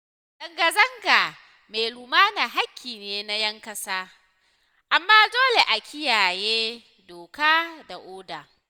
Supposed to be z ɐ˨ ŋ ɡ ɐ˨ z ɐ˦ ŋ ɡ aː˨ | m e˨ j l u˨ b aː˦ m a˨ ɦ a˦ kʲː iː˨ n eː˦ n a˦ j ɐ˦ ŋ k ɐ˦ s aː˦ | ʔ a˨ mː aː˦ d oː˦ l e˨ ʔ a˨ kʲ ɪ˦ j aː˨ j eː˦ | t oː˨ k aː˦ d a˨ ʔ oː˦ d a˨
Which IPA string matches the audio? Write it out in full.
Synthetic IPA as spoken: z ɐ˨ ŋ ɡ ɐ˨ z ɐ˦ ŋ ɡ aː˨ | m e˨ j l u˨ m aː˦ n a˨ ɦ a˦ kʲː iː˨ n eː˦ n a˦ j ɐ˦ ŋ k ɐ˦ s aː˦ | ʔ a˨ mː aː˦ d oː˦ l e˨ ʔ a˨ kʲ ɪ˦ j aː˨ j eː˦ | d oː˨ k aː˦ d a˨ ʔ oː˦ d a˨